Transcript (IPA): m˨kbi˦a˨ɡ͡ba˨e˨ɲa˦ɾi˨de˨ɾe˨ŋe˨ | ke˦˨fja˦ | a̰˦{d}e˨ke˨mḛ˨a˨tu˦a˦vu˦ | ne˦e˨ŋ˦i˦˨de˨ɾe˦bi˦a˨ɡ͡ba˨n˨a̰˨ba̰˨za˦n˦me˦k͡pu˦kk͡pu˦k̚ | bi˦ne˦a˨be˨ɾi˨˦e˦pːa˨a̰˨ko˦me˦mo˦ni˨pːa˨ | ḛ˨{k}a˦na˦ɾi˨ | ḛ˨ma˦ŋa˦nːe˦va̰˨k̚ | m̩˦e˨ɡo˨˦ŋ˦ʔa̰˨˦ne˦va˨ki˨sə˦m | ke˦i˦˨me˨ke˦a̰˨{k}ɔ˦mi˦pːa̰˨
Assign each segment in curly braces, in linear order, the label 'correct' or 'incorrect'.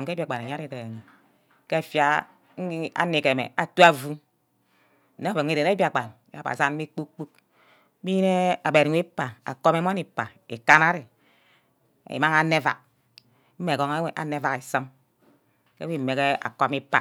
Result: incorrect: n, correct, correct

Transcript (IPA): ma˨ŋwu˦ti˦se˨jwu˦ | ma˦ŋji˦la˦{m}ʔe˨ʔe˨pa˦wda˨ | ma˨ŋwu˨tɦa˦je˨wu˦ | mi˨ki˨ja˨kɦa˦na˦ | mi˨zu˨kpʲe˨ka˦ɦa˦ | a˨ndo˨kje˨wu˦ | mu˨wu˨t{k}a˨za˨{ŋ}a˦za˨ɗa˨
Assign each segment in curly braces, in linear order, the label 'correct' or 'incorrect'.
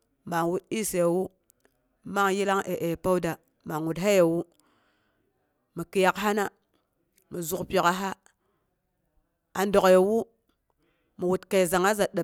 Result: incorrect: ŋ, correct, correct

